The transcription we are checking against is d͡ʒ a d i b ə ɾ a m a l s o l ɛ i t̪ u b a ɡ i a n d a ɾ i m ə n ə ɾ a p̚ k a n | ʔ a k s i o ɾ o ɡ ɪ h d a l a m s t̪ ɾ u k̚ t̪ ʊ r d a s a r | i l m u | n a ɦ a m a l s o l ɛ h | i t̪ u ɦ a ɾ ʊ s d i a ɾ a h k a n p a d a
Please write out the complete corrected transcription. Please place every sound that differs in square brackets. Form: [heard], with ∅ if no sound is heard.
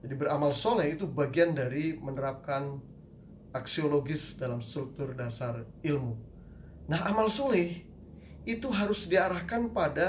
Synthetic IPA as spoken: d͡ʒ a d i b ə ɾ a m a l s o l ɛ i t̪ u b a ɡ i a n d a ɾ i m ə n ə ɾ a p̚ k a n | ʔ a k s i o [l] o ɡ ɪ [s] d a l a m s t̪ ɾ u k̚ t̪ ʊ r d a s a r | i l m u | n a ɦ a m a l s o l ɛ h | i t̪ u ɦ a ɾ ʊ s d i a ɾ a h k a n p a d a